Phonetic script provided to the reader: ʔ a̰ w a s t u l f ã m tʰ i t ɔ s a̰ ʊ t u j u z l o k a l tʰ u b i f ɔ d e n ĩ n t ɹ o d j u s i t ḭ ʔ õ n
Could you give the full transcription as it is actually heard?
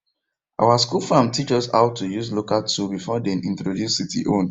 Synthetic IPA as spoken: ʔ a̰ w a s k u l f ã m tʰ i t͡ʃ ɔ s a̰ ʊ t u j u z l o k a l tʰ u b i f ɔ d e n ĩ n t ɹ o d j u s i t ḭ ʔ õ n

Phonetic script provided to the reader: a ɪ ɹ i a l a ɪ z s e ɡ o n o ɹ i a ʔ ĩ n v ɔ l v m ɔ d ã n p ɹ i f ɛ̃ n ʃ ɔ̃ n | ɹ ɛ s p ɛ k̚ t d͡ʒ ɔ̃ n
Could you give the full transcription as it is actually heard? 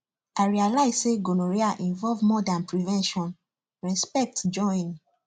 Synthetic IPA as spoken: a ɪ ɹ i a l a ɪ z s e ɡ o n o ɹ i a ʔ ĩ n v ɔ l v m ɔ d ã n p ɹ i v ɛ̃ n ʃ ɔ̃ n | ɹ ɛ s p ɛ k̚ t d͡ʒ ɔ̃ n

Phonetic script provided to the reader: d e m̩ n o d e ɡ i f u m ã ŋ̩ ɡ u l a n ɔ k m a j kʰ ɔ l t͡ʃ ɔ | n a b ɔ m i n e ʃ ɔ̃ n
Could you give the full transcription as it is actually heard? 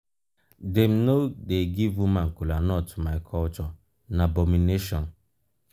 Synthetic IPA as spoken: d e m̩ n o d e ɡ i v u m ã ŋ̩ k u l a n ɔ t m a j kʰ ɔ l t͡ʃ ɔ | n a b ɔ m i n e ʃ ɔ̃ n

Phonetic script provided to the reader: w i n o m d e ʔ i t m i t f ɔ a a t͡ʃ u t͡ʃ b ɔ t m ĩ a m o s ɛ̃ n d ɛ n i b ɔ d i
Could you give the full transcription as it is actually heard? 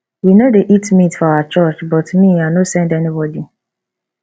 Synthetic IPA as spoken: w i n o d e ʔ i t m i t f ɔ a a t͡ʃ ɔ t͡ʃ b ɔ t m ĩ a n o s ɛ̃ n d ɛ n i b ɔ d i

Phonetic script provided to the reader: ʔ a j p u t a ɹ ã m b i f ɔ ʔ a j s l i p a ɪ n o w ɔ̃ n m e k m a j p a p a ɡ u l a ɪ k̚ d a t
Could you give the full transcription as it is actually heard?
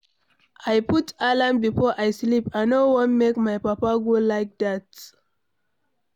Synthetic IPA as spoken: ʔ a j p u t a l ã m b i f ɔ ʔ a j s l i p a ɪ n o w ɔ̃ n m e k m a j p a p a ɡ o l a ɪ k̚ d a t

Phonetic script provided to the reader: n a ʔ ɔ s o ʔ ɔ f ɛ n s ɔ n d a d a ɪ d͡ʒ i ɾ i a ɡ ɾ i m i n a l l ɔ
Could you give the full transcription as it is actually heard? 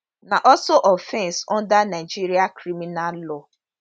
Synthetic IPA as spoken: n a ʔ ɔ s o ʔ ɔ f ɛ n s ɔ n d a n a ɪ d͡ʒ i ɾ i a k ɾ i m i n a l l ɔ

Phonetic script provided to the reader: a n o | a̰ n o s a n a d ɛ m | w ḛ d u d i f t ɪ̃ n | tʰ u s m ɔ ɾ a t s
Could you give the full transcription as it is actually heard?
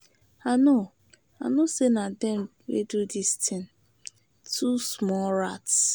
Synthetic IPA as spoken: a n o | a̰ n o s e n a d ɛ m | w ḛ d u d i s t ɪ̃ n | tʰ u s m ɔ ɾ a t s

